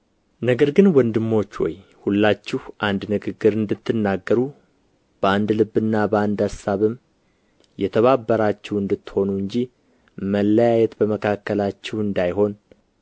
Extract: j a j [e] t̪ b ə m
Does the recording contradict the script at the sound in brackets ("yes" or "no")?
yes